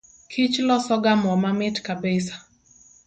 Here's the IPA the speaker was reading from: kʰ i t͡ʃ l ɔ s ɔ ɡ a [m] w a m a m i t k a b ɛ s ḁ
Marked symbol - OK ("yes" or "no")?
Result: yes